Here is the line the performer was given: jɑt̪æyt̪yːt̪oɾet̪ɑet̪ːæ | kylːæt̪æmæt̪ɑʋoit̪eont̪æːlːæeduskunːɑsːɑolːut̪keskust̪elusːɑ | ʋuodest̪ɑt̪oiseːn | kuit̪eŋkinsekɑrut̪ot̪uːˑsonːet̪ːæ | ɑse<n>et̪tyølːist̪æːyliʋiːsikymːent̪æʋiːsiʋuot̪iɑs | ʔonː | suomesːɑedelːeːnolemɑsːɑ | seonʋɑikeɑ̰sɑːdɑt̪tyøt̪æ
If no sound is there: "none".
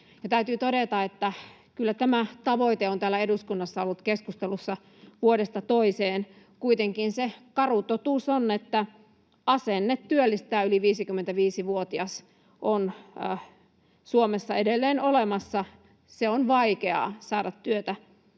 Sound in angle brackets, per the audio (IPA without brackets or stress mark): nː